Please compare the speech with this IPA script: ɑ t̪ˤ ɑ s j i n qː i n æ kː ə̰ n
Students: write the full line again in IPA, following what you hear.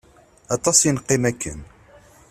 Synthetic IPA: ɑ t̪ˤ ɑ s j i n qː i m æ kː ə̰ n